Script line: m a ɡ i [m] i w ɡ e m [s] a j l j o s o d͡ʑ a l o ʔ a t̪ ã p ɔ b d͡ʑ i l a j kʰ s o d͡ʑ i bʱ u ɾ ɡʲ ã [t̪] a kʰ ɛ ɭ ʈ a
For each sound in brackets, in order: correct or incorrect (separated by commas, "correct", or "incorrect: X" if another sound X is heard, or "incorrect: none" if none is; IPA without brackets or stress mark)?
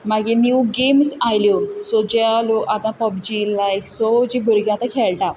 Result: incorrect: n, correct, correct